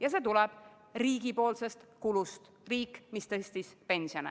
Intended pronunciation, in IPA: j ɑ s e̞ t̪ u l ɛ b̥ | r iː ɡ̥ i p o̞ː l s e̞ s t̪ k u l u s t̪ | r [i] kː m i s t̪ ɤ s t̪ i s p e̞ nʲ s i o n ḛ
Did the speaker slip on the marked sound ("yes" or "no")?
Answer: yes